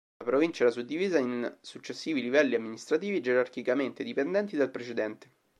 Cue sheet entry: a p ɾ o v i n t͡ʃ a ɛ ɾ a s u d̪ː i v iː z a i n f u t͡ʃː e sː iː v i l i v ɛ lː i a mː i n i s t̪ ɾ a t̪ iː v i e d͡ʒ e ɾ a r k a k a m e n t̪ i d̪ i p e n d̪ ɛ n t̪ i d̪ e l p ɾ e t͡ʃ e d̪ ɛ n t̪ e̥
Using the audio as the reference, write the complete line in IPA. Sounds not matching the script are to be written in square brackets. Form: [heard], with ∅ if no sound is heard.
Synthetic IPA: a p ɾ o v i n t͡ʃ a ɛ ɾ a s u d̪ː i v iː z a i n [s] u t͡ʃː e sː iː v i l i v ɛ lː i a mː i n i s t̪ ɾ a t̪ iː v i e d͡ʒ e ɾ a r k [i] k a m e n t̪ [e] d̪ i p e n d̪ ɛ n t̪ i d̪ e l p ɾ e t͡ʃ e d̪ ɛ n t̪ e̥